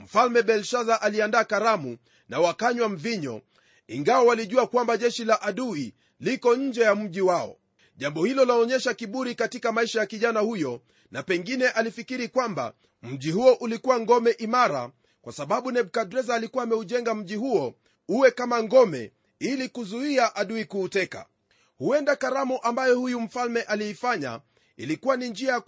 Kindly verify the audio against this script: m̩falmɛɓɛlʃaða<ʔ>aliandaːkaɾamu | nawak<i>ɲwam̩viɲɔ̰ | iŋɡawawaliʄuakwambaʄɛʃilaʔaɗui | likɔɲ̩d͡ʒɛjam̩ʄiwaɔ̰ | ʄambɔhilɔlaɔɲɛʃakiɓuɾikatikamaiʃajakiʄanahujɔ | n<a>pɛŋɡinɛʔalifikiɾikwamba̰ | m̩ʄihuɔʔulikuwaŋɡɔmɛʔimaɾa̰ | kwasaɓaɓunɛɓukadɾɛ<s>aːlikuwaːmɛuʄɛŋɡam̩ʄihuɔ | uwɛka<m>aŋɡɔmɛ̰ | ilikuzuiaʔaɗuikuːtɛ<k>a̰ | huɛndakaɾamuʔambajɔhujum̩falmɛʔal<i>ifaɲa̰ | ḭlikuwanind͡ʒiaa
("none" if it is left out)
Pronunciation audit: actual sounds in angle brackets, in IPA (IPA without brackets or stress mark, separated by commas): ʔ, a, a, z, m, k, i